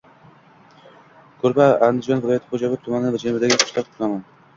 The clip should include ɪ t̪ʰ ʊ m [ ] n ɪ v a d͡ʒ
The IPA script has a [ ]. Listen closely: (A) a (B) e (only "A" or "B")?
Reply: A